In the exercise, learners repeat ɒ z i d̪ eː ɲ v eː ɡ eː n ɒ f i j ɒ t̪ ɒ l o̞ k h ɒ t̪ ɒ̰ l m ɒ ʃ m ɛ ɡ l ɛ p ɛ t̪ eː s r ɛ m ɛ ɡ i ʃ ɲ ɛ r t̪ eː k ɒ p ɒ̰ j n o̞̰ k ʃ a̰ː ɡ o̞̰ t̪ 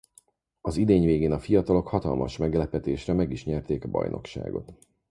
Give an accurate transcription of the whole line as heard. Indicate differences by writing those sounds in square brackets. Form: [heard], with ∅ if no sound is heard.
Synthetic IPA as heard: ɒ z i d̪ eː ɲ v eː ɡ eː n ɒ f i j ɒ t̪ ɒ l o̞ k h ɒ t̪ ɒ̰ l m ɒ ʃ m ɛ ɡ l ɛ p ɛ t̪ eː [ʃ] r ɛ m ɛ ɡ i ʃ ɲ ɛ r t̪ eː k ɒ [b] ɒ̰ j n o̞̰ k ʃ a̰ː ɡ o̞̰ t̪